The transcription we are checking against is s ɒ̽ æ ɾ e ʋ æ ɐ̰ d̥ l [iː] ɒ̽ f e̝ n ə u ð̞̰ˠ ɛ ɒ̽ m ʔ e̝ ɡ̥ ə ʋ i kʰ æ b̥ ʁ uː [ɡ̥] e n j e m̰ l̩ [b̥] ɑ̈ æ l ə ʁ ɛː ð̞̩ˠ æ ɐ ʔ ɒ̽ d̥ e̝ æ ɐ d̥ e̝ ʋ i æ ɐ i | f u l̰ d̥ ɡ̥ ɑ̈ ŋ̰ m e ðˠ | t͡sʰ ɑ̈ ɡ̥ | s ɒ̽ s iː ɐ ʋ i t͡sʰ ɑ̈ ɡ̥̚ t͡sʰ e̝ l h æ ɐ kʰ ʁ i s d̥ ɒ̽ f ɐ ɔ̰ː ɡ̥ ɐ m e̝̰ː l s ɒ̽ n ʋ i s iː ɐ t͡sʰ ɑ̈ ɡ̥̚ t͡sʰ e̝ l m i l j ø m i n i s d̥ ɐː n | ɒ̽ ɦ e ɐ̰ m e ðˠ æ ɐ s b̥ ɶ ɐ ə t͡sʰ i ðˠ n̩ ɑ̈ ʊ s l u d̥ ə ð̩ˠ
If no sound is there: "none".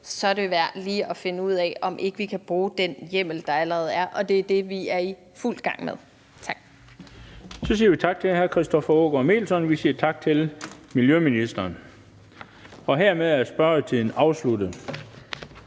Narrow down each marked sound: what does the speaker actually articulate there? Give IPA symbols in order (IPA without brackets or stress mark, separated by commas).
iː, d̥, d̥